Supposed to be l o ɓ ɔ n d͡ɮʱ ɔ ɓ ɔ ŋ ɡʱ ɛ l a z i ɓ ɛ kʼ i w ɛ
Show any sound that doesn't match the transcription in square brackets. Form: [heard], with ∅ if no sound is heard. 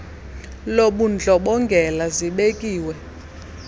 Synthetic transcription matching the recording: l o ɓ [u] n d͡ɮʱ ɔ ɓ ɔ ŋ ɡʱ ɛ l a z i ɓ [e] kʼ [iː] w ɛ